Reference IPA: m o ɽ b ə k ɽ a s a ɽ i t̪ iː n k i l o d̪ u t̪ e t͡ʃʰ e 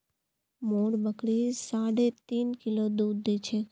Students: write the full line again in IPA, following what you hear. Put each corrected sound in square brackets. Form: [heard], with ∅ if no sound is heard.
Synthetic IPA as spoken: m o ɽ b ə k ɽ [i] s a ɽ [e] t̪ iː n k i l o d̪ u [d̪] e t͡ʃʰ e